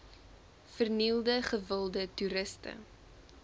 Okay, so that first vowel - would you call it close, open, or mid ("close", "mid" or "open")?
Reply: mid